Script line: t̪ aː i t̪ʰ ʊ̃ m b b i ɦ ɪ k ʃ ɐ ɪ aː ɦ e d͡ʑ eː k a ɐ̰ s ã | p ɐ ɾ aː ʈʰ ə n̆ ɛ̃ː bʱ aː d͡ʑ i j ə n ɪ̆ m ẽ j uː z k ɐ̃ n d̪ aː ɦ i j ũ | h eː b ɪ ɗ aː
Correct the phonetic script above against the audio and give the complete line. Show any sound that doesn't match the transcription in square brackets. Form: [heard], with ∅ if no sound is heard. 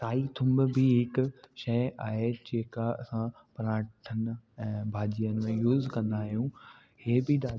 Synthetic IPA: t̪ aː i t̪ʰ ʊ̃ m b b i ɦ ɪ k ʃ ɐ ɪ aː ɦ e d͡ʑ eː k a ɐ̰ s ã | p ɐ ɾ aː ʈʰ ə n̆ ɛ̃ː bʱ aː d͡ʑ i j ə n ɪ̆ m ẽ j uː z k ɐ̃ n d̪ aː ɦ i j ũ | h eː b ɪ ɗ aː

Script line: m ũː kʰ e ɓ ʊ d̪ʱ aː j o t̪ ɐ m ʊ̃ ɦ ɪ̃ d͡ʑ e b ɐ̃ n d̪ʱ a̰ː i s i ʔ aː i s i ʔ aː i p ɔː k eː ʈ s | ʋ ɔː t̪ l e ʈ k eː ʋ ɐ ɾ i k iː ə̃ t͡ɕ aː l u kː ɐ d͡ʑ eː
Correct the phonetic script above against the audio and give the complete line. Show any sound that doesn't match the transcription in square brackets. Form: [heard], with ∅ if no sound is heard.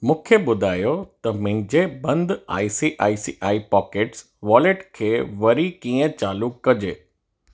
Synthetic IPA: m ũː kʰ e ɓ ʊ d̪ʱ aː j o t̪ ɐ m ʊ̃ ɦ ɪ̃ d͡ʑ e b ɐ̃ n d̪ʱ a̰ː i s i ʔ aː i s i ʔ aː i p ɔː k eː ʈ s | ʋ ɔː [∅] l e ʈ [kʰ] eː ʋ ɐ ɾ i k iː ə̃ t͡ɕ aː l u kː ɐ d͡ʑ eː

